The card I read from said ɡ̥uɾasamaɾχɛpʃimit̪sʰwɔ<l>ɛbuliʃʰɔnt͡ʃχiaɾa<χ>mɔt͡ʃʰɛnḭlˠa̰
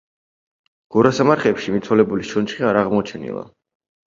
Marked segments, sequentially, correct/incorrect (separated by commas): correct, incorrect